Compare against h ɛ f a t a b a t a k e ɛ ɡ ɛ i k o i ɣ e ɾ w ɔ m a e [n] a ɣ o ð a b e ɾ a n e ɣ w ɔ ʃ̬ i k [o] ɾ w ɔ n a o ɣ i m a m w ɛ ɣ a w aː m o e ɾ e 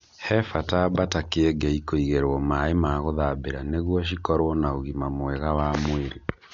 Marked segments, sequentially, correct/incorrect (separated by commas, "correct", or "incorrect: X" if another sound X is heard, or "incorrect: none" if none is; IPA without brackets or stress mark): incorrect: m, incorrect: ɔ